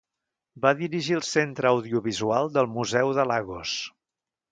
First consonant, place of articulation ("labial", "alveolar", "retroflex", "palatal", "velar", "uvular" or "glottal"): labial